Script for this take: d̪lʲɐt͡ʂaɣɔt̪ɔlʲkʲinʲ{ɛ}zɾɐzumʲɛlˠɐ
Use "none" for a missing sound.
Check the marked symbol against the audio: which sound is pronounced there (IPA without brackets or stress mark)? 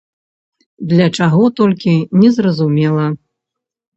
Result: ɛ